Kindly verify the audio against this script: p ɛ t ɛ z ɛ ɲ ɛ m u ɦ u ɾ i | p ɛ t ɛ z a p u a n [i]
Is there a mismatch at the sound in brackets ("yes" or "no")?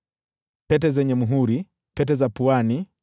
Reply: no